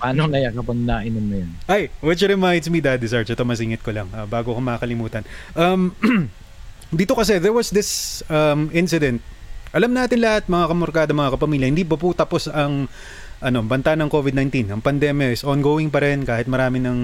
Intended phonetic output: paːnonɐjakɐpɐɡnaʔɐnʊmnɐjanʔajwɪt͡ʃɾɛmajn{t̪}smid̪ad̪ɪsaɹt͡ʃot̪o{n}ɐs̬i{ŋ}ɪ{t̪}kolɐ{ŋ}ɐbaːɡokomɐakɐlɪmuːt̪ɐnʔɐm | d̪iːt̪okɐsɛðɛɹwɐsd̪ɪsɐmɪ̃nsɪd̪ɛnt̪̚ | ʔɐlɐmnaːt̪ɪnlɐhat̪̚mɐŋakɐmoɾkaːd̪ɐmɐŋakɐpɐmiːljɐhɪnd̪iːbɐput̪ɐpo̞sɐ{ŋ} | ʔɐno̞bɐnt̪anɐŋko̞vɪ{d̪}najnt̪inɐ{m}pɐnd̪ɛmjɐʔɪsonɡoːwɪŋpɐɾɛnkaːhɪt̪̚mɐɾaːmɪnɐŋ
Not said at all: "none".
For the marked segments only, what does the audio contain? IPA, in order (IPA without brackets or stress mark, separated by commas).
d̪, m, ŋ, t̪, ŋ, ŋ, d̪, ŋ